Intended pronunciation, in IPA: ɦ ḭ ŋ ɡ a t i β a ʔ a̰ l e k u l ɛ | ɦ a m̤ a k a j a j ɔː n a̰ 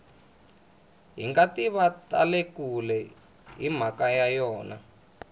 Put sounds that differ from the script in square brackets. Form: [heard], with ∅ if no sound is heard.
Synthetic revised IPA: ɦ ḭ ŋ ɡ a t i β a [t] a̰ l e k u l ɛ | ɦ [i] m̤ a k a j a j ɔː n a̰